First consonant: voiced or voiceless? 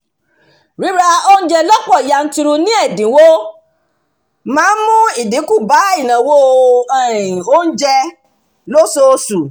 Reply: voiced